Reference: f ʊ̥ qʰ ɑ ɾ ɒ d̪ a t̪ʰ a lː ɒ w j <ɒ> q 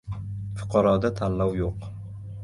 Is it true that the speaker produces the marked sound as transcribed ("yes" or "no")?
no